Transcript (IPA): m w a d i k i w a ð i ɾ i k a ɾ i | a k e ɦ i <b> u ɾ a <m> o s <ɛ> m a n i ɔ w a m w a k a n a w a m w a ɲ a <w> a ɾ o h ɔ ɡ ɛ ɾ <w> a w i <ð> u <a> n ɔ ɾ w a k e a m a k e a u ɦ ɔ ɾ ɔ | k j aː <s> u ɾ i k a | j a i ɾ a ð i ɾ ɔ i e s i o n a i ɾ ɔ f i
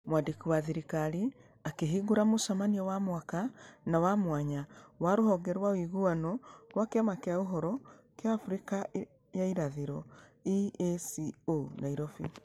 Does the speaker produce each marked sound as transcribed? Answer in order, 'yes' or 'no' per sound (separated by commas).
no, yes, no, yes, yes, no, yes, no